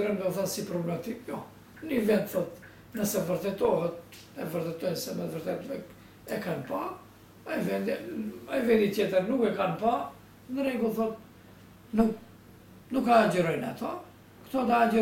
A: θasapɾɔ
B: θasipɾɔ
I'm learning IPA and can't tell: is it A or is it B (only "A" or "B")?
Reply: B